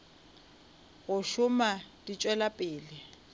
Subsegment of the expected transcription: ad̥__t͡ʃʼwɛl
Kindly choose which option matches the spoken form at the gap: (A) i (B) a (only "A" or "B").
A